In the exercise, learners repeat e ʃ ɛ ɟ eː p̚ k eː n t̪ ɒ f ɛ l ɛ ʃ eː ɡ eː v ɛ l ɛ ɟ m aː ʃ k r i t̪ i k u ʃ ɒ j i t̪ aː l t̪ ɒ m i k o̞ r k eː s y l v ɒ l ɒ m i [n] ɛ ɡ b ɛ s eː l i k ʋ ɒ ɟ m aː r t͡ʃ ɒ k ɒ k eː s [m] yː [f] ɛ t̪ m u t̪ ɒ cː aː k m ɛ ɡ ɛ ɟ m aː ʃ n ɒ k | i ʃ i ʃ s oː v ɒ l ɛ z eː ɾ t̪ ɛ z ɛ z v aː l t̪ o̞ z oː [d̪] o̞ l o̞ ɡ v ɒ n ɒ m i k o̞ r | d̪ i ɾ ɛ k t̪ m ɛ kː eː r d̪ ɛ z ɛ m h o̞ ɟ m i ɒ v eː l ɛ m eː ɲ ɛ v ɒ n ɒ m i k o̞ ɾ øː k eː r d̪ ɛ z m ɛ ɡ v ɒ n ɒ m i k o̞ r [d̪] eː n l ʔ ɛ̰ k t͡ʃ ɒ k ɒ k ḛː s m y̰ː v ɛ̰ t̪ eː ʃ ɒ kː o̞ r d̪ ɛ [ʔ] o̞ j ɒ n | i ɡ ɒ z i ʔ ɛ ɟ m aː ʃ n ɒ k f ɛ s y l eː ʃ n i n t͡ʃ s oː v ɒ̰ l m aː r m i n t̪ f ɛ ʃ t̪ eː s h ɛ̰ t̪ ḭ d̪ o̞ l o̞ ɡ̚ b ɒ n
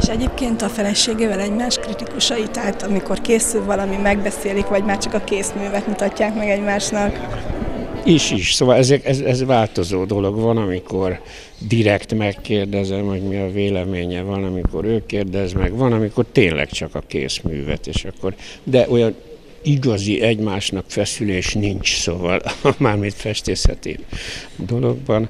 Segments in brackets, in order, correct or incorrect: incorrect, correct, incorrect, correct, incorrect, correct

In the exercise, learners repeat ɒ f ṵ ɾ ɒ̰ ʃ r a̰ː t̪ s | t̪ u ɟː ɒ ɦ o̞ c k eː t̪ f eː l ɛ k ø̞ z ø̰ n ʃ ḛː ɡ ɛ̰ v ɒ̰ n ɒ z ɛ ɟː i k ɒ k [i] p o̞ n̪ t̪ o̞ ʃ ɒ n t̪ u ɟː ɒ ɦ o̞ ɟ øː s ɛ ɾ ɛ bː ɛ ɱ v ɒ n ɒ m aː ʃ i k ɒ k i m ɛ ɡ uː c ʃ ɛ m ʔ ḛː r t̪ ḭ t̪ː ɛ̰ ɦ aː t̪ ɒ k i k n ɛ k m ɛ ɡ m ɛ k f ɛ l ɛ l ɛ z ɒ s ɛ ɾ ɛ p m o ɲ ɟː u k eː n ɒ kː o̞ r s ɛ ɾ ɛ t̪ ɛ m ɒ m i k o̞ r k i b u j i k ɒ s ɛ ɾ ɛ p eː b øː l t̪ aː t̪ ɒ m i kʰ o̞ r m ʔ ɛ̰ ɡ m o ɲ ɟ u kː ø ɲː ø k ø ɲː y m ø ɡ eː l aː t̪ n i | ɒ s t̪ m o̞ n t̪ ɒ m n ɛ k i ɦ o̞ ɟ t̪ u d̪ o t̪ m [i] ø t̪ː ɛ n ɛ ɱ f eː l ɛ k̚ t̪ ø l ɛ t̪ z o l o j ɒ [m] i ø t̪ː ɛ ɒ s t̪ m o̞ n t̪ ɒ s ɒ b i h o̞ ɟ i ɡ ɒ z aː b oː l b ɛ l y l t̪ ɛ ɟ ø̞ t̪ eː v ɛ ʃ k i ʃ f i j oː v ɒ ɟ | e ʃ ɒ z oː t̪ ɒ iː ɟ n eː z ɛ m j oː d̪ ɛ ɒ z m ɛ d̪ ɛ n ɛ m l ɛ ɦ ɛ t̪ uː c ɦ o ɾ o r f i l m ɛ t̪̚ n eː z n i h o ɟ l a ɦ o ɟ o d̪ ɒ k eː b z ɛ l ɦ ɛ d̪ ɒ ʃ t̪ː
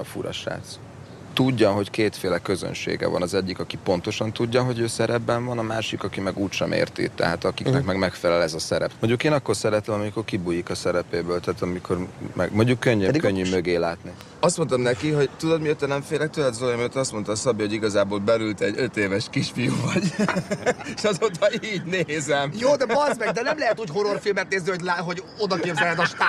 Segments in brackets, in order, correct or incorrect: correct, correct, correct

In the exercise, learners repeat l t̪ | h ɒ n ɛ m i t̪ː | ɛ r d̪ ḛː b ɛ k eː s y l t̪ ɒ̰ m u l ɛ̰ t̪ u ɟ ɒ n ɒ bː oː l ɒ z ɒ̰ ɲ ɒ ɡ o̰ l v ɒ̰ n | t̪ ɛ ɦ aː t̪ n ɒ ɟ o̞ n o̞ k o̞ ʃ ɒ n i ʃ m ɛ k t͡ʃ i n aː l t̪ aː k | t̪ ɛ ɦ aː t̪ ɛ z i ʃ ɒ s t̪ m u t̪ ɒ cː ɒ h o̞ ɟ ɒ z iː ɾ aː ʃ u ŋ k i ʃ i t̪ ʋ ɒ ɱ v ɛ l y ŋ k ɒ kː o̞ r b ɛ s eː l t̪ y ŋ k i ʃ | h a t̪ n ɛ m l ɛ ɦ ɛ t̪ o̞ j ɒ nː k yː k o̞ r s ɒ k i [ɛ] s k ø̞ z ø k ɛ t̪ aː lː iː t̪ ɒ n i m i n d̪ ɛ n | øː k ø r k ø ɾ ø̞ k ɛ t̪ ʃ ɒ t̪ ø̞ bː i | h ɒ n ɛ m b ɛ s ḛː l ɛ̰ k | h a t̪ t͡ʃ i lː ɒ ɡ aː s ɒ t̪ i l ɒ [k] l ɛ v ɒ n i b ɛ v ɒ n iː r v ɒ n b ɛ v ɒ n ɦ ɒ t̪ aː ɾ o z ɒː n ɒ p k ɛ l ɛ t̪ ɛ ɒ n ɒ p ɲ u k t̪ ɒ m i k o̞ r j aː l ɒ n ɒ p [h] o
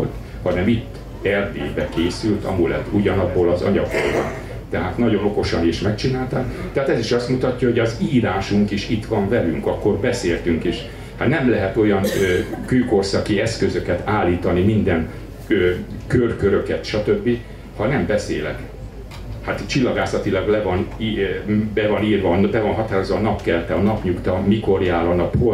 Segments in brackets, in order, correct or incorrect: correct, incorrect, correct

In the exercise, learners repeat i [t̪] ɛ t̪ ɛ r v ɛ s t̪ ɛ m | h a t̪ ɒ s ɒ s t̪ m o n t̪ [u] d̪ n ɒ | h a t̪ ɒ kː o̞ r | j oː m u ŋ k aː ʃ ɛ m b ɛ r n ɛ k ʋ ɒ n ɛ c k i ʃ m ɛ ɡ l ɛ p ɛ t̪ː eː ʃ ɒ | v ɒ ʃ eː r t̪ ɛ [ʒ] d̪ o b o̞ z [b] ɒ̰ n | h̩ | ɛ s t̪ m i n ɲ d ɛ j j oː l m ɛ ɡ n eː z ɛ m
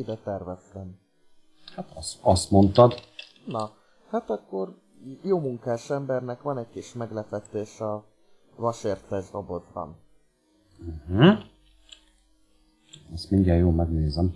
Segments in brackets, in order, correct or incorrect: incorrect, incorrect, correct, correct

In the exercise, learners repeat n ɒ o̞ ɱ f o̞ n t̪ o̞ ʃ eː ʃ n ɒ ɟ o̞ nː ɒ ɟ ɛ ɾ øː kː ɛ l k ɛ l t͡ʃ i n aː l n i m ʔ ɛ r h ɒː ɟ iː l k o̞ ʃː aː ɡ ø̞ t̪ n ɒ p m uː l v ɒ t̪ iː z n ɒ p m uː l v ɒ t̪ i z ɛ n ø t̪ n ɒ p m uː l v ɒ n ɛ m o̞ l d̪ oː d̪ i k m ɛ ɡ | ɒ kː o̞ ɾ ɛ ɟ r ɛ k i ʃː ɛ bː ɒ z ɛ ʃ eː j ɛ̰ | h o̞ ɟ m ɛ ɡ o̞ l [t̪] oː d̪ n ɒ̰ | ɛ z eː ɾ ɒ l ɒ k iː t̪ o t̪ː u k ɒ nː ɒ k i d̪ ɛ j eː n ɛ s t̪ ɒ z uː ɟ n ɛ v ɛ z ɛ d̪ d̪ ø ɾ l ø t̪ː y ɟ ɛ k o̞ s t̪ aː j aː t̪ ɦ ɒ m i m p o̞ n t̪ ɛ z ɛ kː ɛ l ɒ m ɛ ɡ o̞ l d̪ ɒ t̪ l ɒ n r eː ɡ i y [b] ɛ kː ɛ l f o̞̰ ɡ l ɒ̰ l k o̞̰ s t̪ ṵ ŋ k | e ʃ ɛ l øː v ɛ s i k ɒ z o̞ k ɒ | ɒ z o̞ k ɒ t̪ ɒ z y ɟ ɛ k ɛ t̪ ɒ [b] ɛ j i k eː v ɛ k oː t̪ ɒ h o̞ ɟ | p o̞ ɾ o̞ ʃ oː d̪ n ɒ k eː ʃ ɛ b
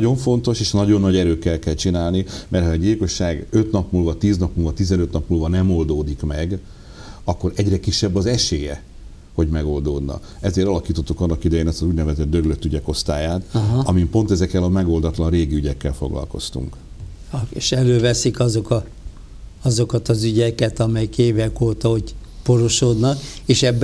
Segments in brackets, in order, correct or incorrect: incorrect, incorrect, incorrect

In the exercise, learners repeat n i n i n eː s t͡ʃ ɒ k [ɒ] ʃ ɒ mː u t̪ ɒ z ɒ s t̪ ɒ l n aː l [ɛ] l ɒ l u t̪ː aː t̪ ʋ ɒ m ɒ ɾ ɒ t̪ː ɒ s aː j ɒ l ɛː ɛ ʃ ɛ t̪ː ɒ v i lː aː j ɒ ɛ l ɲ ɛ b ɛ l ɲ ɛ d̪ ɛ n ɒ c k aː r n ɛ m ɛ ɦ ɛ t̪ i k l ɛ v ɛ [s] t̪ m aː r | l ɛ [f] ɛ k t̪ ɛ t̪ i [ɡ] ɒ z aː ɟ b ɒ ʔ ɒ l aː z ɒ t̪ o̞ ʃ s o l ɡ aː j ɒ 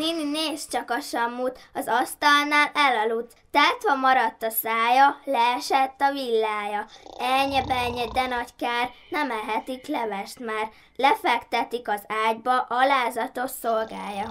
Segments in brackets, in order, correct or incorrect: correct, correct, incorrect, correct, incorrect

